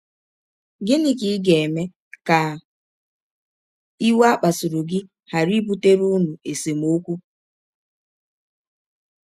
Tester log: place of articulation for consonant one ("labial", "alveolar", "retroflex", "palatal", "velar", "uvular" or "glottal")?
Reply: velar